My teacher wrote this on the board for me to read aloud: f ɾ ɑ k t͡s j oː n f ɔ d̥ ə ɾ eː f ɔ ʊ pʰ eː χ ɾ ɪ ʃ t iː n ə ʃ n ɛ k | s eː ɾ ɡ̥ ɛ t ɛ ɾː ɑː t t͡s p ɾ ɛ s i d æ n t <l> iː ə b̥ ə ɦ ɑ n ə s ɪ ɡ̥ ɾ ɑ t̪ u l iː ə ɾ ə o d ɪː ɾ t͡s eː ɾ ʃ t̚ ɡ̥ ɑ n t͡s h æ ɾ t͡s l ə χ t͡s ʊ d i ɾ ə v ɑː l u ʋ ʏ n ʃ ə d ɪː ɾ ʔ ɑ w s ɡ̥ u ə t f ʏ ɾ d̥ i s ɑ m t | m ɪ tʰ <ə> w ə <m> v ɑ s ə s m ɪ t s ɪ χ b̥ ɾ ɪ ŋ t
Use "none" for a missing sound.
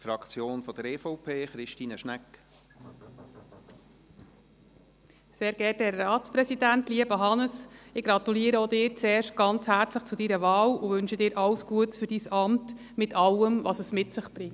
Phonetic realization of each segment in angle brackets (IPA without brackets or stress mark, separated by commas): l, ɑ, m